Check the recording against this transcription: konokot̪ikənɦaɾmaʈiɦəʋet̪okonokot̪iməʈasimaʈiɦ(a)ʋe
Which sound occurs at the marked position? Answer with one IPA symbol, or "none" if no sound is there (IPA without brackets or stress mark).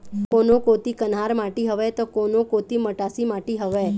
ə